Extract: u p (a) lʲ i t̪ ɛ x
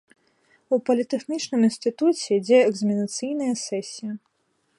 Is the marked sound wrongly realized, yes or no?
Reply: yes